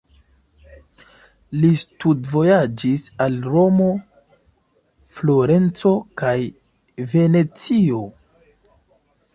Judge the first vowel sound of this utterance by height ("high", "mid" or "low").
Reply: high